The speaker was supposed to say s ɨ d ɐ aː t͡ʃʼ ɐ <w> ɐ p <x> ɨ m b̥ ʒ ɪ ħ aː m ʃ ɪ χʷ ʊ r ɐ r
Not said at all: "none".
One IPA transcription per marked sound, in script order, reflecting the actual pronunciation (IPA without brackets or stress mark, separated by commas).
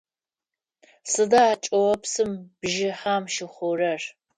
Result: w, s